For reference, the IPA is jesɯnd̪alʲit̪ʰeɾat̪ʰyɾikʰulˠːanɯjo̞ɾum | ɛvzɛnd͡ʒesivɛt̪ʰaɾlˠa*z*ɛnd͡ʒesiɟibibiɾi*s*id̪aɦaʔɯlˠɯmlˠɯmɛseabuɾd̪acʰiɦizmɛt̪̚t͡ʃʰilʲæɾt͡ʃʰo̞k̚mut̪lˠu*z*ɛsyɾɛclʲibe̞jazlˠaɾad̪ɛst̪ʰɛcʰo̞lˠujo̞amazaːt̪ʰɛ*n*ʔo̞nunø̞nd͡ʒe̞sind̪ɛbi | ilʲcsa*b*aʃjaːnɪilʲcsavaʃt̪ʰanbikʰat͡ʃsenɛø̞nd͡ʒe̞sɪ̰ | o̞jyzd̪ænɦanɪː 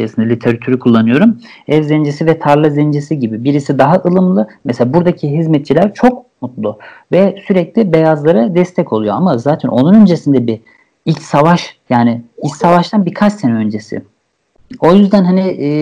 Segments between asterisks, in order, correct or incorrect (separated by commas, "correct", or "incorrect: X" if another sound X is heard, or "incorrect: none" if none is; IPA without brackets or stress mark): correct, correct, incorrect: v, correct, incorrect: v